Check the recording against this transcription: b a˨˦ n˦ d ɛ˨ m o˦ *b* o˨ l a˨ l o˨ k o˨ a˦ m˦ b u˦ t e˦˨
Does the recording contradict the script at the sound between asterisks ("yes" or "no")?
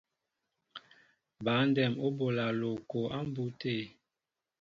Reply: no